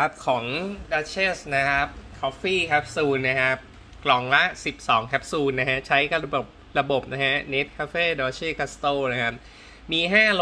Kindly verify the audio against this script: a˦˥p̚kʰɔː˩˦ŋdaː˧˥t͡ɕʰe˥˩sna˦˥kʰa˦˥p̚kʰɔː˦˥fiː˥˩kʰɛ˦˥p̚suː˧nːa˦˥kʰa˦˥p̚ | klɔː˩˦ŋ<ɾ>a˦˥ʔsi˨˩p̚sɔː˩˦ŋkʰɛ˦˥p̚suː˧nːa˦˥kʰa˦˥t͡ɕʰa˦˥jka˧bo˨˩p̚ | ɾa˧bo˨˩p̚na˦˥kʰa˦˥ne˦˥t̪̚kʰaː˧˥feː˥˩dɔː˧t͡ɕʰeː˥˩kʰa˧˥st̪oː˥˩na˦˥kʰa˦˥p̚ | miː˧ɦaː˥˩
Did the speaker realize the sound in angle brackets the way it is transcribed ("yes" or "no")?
no